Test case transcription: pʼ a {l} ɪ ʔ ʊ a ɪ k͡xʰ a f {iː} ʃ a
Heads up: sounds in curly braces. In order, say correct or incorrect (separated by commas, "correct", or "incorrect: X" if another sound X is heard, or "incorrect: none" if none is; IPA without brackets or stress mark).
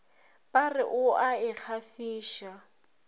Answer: incorrect: r, correct